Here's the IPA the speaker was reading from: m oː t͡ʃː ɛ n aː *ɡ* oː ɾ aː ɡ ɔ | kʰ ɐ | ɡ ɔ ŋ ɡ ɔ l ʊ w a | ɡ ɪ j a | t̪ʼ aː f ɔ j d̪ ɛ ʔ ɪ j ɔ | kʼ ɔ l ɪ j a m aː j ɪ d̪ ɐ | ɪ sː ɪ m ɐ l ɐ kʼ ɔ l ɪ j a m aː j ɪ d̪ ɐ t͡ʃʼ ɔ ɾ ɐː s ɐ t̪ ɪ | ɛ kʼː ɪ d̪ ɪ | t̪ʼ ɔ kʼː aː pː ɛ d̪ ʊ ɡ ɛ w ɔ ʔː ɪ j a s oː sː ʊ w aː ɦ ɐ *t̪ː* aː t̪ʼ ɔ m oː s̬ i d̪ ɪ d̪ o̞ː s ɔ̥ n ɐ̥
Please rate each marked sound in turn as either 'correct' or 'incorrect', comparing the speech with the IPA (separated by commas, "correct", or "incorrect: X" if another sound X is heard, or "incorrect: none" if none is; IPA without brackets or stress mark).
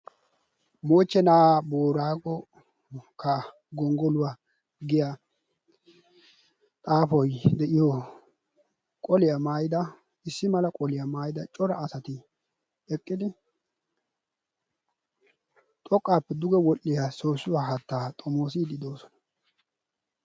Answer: incorrect: b, correct